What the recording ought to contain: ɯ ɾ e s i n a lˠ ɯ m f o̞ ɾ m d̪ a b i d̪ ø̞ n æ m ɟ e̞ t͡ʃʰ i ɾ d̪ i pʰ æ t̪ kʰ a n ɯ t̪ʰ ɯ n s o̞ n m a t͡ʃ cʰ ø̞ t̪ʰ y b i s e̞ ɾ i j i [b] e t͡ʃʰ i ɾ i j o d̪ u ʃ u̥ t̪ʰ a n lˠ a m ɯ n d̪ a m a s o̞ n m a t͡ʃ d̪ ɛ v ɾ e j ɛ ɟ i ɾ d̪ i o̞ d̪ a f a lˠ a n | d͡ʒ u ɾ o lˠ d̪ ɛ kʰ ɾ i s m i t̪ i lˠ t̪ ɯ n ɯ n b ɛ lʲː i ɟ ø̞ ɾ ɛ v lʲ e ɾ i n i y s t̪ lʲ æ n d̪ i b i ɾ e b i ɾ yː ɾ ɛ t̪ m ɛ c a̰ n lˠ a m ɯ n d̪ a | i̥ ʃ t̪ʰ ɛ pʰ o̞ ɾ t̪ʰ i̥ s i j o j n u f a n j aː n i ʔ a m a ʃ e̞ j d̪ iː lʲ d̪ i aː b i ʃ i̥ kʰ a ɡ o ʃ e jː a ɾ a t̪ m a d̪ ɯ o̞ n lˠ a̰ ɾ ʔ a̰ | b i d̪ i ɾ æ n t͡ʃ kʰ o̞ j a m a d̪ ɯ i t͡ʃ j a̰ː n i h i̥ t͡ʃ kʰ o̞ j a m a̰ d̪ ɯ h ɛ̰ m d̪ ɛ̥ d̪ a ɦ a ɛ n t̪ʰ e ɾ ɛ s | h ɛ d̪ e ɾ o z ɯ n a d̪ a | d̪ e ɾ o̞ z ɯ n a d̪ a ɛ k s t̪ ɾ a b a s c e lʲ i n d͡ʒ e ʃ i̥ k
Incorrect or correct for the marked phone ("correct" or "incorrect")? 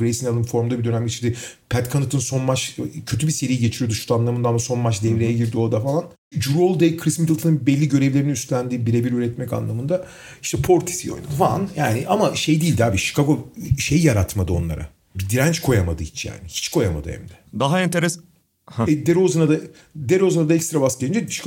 incorrect